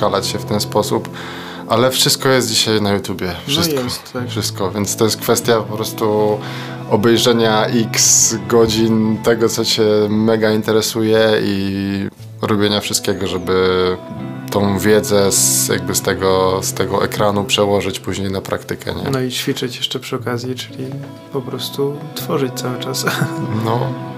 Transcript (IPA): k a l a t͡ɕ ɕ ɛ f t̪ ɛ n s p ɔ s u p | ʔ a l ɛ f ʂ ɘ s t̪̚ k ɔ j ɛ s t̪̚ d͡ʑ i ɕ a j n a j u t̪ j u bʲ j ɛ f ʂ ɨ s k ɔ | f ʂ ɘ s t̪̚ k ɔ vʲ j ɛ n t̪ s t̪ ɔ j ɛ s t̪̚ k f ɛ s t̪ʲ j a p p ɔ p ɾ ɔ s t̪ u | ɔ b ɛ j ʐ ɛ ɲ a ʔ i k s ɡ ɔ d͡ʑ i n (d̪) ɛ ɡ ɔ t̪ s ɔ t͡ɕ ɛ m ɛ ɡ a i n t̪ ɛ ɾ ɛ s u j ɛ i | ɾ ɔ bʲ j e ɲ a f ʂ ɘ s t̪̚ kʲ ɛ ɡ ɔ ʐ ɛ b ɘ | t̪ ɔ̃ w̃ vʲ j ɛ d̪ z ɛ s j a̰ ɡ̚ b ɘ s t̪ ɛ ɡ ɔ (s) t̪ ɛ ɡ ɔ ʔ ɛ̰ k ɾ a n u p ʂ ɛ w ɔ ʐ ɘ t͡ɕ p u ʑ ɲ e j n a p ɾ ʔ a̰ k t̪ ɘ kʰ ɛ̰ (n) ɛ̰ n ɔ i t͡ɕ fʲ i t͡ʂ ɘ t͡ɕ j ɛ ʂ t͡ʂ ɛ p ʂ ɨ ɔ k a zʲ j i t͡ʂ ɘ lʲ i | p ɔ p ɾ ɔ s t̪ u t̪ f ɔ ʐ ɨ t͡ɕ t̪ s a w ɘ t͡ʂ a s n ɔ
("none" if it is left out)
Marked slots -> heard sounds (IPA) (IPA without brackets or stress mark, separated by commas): t̪, s, ɲ